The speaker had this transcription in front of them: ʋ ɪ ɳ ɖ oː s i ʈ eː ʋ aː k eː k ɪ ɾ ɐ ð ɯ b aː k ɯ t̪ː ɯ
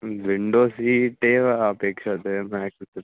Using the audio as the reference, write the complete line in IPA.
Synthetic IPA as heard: ʋ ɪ ɳ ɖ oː s i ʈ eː ʋ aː p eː k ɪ ɾ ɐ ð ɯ m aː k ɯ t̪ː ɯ